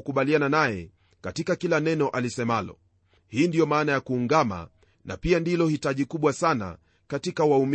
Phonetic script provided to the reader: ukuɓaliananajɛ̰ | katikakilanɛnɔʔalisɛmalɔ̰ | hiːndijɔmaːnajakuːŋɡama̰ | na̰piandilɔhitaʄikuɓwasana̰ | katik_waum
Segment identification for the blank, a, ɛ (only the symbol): a